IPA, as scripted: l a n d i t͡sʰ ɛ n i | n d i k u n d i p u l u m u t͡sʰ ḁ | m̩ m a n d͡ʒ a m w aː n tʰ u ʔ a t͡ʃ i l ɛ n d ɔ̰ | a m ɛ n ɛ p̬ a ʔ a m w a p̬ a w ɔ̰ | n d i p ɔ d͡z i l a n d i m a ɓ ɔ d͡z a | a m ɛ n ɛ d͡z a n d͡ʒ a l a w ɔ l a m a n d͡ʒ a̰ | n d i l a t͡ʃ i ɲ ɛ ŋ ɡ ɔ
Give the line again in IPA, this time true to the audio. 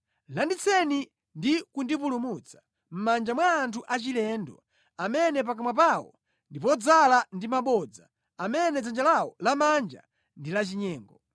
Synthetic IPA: l a n d i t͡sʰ ɛ n i | n d i k u n d i p u l u m u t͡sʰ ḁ | m̩ m a n d͡ʒ a m w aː n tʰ u ʔ a t͡ʃ i l ɛ n d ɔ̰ | a m ɛ n ɛ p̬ a k a m w a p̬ a w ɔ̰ | n d i p ɔ d͡z a l a n d i m a ɓ ɔ d͡z a | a m ɛ n ɛ d͡z a n d͡ʒ a l a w ɔ l a m a n d͡ʒ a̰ | n d i l a t͡ʃ i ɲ ɛː ŋ ɡ ɔ